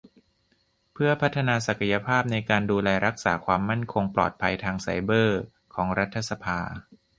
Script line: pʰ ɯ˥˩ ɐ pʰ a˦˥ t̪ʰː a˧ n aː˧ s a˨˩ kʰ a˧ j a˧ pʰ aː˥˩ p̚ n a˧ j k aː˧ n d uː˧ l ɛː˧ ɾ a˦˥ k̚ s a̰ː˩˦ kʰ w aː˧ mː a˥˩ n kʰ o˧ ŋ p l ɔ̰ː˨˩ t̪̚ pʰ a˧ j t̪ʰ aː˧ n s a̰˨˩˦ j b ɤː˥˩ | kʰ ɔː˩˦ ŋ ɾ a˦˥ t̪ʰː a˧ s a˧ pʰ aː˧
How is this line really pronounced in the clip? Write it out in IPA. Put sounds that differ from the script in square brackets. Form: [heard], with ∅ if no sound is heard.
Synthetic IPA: pʰ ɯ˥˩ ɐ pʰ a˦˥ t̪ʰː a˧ n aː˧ s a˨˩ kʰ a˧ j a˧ pʰ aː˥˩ p̚ n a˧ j k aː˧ n d uː˧ l ɛː˧ ɾ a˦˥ k̚ s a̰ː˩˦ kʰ w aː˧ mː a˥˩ n kʰ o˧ ŋ p l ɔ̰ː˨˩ t̪̚ pʰ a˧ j t̪ʰ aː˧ [ŋ] s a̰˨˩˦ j b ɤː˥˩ | kʰ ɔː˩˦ ŋ ɾ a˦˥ t̪ʰː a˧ s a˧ pʰ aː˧